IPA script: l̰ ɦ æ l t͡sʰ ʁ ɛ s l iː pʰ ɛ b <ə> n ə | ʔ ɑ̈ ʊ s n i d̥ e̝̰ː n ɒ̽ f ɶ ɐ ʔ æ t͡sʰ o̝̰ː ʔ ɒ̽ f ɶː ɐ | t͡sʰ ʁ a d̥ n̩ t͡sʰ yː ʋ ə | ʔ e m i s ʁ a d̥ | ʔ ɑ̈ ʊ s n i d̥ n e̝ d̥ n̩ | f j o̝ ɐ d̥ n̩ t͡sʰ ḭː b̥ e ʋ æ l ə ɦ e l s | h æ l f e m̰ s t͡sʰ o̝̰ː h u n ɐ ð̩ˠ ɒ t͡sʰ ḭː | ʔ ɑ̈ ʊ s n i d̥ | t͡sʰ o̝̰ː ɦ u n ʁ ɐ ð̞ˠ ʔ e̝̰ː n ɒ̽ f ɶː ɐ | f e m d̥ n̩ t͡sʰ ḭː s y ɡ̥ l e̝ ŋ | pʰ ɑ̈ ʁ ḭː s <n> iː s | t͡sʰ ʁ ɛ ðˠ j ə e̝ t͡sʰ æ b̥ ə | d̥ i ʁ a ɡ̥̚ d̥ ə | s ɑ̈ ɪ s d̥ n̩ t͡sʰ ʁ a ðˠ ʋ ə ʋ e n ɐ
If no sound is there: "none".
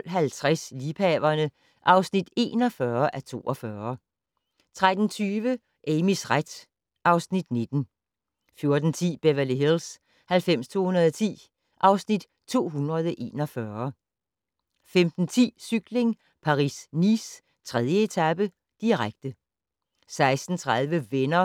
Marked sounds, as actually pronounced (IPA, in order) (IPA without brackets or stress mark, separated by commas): ɐ, n